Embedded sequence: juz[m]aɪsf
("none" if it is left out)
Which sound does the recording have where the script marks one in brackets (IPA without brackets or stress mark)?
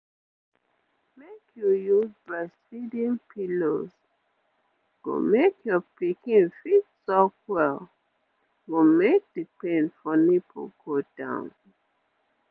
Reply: b